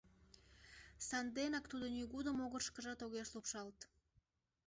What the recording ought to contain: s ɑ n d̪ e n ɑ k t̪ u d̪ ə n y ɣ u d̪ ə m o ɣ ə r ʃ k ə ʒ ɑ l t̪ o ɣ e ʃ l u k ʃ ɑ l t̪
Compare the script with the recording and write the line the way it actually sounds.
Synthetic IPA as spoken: s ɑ n d̪ e n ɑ k t̪ u d̪ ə n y ɣ u d̪ ə m o ɣ ə r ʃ k ə ʒ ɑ t̪ o ɣ e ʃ l u p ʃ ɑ l t̪